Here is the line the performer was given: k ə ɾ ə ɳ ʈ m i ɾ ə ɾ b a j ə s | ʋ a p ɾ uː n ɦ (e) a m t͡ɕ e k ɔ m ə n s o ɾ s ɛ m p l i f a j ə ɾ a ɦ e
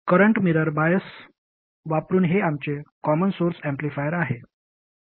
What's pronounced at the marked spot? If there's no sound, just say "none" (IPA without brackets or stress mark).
e